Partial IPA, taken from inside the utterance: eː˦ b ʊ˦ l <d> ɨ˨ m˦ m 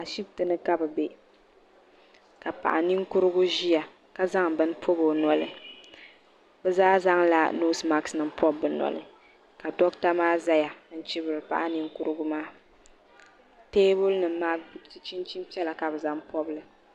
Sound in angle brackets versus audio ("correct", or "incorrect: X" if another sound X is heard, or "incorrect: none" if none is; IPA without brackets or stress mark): incorrect: n